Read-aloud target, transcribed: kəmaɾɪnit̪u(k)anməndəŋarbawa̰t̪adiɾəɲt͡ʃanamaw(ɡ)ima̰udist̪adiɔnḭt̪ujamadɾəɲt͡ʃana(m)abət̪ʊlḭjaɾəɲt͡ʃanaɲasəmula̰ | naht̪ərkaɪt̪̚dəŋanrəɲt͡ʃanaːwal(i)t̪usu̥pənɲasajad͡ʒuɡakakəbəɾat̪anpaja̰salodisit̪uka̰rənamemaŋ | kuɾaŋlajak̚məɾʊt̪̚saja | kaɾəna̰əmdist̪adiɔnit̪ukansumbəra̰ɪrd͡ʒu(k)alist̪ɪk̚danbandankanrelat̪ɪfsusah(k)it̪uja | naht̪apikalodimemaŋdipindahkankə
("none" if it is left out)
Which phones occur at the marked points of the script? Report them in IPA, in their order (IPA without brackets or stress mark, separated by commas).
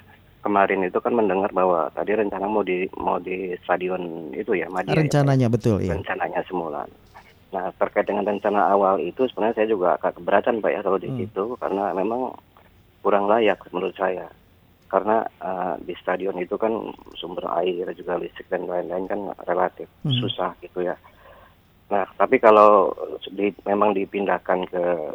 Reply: k, d, ɲ, i, ɡ, ɡ